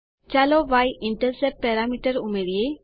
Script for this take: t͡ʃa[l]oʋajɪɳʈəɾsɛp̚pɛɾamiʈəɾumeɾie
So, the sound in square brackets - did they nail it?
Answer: yes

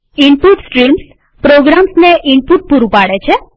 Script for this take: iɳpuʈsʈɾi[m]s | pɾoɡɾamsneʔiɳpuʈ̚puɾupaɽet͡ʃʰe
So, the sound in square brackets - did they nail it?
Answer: yes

